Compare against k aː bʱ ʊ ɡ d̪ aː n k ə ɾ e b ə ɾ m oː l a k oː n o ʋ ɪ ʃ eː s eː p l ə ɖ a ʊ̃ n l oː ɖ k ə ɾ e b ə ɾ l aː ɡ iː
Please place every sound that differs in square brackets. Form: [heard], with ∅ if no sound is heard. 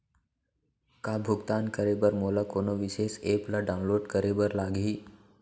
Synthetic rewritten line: k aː bʱ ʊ ɡ [t̪] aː n k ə ɾ e b ə ɾ m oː l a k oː n o ʋ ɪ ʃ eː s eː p l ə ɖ a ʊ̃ n l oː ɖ k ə ɾ e b ə ɾ l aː ɡ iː